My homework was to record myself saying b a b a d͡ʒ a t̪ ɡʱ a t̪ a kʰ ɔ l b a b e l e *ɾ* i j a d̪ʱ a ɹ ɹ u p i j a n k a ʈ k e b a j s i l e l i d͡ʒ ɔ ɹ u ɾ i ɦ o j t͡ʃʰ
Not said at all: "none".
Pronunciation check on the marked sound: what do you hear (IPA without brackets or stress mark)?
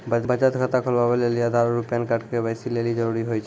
l